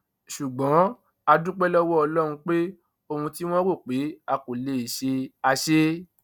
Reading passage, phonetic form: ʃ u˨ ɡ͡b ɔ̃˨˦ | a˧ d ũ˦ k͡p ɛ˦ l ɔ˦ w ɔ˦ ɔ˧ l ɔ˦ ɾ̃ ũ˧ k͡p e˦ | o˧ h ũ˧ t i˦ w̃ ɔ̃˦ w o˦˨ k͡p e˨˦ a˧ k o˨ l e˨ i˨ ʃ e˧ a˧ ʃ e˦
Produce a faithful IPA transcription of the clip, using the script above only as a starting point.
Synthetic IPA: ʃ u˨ ɡ͡b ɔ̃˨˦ | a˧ d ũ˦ k͡p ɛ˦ l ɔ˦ w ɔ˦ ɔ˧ l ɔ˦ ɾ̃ ũ˧ k͡p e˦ | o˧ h ũ˧ t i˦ w̃ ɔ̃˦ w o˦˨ k͡p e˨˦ a˧ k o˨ l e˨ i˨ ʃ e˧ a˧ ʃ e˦